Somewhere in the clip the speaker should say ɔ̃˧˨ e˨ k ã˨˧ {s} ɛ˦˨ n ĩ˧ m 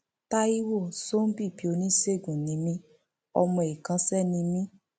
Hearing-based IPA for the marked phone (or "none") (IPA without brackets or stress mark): s